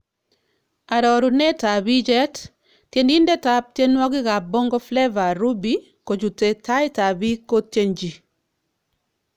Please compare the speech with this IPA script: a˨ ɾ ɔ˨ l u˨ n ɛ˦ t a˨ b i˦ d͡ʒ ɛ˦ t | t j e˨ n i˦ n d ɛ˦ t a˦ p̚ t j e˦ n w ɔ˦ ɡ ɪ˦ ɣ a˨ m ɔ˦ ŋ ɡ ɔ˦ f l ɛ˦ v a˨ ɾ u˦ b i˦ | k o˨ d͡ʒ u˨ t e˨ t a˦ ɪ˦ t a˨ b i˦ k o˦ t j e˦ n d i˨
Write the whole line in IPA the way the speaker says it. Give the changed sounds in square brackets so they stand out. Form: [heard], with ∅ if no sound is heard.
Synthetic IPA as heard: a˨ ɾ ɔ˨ [ɾ] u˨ n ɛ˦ t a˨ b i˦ d͡ʒ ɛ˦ t | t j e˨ n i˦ n d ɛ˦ t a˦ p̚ t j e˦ n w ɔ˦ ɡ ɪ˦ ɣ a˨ [b] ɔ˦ ŋ ɡ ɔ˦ f l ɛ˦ v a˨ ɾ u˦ b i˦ | k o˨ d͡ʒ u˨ t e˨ t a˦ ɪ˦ t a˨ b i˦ k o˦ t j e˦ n [d͡ʒ] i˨

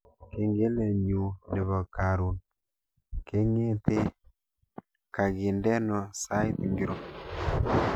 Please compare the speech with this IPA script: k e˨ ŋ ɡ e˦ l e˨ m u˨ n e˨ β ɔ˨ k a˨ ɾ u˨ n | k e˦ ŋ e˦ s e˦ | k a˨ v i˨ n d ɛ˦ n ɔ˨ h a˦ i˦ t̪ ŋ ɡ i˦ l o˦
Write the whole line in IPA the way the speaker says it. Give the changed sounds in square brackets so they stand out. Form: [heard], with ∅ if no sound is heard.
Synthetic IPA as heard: k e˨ ŋ ɡ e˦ l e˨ [ɲ] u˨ n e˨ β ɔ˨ k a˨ ɾ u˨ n | k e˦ ŋ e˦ [t] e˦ | k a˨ [ɣ] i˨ n d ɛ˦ n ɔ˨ [s] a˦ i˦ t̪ ŋ ɡ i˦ [ɾ] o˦

